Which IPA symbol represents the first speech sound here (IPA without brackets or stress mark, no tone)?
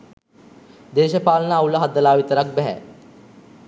d̪